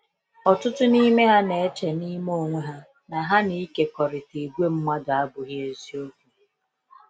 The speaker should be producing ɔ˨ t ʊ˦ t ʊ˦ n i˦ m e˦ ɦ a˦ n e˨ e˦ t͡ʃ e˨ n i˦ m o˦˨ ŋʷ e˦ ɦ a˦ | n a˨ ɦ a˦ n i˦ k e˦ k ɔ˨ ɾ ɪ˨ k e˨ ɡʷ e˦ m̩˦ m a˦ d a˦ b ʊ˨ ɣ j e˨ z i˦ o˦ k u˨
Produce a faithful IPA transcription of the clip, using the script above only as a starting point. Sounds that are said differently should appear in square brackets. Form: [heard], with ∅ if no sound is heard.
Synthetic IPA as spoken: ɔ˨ t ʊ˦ t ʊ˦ n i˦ m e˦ ɦ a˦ n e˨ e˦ t͡ʃ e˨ n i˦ m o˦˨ ŋʷ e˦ ɦ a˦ | n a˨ ɦ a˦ n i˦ k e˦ k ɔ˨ ɾ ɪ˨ [t] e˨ ɡʷ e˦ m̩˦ m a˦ d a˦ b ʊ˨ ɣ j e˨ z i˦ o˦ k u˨